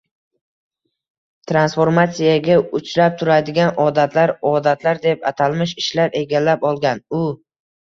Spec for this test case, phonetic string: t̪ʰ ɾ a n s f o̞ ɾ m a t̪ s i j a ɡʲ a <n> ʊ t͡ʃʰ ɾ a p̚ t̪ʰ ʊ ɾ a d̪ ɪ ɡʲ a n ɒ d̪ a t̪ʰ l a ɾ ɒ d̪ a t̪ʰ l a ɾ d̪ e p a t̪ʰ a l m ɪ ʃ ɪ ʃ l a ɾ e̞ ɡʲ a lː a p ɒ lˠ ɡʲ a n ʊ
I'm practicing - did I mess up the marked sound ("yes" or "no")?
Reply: yes